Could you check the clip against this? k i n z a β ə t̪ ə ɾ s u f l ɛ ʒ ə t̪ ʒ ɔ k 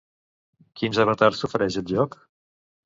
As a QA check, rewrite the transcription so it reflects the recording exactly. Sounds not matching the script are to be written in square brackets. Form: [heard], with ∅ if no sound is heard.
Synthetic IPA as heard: k i n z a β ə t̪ [a] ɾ s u f [ɾ] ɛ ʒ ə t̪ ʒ ɔ k